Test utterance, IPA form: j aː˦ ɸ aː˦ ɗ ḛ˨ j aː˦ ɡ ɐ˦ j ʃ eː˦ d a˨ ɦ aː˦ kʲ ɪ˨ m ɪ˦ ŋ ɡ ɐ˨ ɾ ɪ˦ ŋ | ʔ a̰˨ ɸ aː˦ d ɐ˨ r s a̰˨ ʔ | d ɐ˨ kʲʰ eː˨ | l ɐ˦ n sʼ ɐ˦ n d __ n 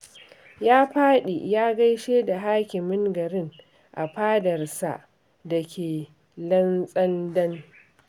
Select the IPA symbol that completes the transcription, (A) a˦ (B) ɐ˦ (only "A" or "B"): B